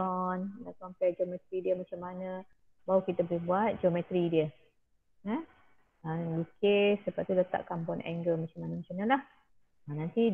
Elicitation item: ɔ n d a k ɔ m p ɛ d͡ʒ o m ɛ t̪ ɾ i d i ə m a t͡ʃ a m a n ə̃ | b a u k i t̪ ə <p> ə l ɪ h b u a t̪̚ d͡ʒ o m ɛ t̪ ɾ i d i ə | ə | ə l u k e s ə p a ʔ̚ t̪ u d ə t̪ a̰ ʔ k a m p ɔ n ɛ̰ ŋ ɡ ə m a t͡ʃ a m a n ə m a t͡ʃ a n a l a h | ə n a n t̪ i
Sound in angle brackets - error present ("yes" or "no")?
yes